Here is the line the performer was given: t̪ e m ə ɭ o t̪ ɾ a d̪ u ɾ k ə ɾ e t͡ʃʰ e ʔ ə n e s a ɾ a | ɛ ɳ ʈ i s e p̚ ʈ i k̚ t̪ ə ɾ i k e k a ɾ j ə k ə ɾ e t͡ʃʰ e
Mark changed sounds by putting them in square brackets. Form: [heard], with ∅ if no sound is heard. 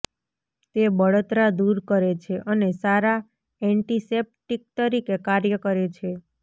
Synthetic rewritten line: t̪ e [b] ə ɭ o t̪ ɾ a d̪ u ɾ k ə ɾ e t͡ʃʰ e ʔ ə n e s a ɾ a | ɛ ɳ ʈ i s e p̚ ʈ i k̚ t̪ ə ɾ i k e k a ɾ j ə k ə ɾ e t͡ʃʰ e